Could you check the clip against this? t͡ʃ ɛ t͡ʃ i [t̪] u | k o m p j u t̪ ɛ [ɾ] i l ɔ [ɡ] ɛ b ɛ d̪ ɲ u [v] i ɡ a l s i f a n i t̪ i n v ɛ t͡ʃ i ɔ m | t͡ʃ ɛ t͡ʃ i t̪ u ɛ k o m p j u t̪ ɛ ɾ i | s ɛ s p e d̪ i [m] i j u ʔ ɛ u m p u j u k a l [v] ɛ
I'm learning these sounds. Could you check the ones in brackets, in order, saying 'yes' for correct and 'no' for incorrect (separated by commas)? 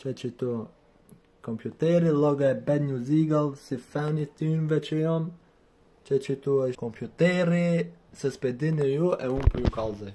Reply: yes, yes, yes, no, no, no